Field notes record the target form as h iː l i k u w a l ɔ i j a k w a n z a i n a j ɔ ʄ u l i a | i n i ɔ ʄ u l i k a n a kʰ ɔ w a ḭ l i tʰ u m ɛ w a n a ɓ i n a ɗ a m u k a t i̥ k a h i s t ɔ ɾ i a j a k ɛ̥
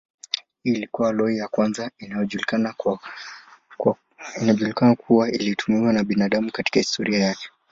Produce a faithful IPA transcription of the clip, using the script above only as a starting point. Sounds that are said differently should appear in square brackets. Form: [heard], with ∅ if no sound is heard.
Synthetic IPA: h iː l i k u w a l ɔ i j a k w a n z a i n a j ɔ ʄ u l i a | i n [a] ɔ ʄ u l i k a n a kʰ [u] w a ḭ l i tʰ u m [i] w a n a ɓ i n a ɗ a m u k a t i̥ k a h i s t ɔ ɾ i a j a k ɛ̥